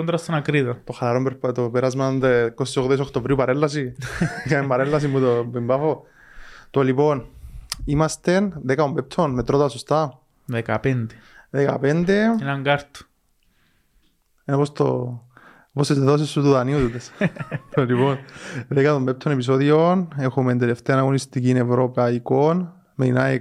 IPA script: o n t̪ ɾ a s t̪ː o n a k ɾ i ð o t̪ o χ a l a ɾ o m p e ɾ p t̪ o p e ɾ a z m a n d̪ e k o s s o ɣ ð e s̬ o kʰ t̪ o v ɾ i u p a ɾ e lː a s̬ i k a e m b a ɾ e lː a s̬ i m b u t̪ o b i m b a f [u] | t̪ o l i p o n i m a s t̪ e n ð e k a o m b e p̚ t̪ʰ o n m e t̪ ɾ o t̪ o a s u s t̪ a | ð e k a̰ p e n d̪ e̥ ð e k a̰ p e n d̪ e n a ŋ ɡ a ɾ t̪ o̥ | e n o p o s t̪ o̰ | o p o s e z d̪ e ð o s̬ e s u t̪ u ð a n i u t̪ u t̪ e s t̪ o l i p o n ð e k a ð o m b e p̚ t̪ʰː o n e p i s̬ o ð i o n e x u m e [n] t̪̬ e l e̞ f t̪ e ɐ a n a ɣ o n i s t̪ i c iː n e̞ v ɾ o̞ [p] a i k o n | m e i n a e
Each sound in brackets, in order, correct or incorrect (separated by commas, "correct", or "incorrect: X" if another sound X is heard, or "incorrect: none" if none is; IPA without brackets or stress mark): incorrect: o, correct, correct